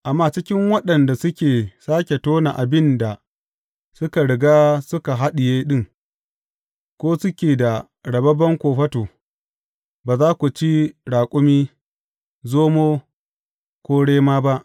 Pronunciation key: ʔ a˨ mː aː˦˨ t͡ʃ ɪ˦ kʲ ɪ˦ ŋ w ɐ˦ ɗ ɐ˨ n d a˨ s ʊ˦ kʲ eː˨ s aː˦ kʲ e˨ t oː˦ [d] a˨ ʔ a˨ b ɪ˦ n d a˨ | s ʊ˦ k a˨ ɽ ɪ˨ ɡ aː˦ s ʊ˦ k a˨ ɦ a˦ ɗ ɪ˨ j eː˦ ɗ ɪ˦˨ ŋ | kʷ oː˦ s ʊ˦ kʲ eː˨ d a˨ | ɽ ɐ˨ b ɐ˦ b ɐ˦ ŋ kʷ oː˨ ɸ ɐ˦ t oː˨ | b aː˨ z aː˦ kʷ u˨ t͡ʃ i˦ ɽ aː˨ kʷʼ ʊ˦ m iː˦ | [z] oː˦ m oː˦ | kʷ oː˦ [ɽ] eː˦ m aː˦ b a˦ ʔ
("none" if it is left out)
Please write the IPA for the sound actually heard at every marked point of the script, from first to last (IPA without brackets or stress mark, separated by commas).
n, z, ɽ